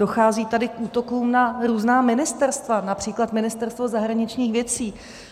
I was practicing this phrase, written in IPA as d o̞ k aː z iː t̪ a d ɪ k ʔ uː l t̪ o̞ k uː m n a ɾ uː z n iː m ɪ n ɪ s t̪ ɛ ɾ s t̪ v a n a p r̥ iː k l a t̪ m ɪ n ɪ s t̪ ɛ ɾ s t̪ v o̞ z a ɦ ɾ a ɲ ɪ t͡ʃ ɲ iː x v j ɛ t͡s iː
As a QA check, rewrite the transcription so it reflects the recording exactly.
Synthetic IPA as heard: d o̞ x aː z iː t̪ a d ɪ k ʔ uː t̪ o̞ k uː m n a ɾ uː z n aː m ɪ n ɪ s t̪ ɛ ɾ s t̪ v a n a p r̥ iː k l a t̪ m ɪ n ɪ s t̪ ɛ ɾ s t̪ v o̞ z a ɦ ɾ a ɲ ɪ t͡ʃ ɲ iː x v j ɛ t͡s iː